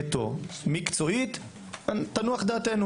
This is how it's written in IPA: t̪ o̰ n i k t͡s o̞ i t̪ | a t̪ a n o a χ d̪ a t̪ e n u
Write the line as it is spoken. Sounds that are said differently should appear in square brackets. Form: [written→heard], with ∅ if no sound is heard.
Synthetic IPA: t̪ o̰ [n→m] i k t͡s o̞ i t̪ | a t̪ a n [o→u] a χ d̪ a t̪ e n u